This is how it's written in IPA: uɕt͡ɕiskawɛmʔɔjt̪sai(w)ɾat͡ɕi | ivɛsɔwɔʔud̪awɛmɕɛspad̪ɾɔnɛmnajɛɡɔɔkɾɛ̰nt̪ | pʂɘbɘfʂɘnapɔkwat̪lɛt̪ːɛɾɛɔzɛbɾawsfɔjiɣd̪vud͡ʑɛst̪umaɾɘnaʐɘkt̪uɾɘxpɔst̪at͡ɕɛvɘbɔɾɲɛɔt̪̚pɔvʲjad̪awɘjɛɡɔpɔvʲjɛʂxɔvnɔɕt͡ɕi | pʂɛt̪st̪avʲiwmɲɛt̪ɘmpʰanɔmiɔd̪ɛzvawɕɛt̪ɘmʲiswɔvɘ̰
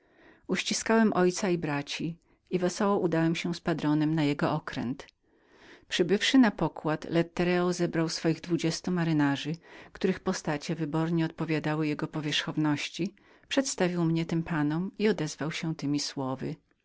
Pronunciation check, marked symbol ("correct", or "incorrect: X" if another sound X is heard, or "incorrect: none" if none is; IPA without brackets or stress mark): incorrect: b